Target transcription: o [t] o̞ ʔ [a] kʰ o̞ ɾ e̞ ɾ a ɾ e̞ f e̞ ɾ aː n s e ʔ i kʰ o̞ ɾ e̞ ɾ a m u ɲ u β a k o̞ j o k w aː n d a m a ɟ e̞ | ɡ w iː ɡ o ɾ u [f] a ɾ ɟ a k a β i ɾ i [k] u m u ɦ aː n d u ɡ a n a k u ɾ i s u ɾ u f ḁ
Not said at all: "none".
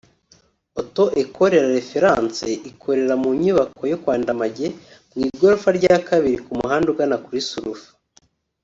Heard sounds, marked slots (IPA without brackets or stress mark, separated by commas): t, e, f, k